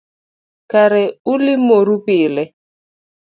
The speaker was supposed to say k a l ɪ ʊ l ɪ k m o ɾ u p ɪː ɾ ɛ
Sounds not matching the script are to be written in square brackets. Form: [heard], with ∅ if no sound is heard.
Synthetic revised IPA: k a [ɾ] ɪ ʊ l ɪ [∅] m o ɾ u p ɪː [l] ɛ